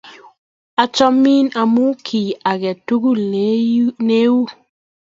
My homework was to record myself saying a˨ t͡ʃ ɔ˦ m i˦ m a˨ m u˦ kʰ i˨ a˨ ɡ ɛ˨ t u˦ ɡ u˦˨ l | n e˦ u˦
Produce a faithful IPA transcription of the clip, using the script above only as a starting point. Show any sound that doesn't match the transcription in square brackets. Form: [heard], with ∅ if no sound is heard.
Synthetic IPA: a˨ t͡ʃ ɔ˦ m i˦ [n] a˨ m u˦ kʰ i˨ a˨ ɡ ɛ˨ t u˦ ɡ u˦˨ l | n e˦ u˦